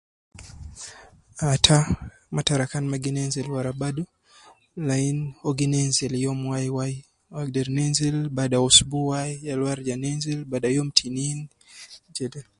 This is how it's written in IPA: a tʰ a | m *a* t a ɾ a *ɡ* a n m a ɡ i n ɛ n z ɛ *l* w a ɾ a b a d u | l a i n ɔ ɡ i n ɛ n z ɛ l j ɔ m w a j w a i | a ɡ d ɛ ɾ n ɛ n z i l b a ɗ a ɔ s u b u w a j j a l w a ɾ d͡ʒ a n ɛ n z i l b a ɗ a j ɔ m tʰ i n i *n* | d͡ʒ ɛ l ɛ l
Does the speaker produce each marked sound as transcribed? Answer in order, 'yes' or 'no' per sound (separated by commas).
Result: yes, no, yes, yes